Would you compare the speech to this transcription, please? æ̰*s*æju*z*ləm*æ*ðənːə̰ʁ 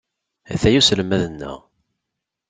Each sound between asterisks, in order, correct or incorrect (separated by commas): incorrect, incorrect, correct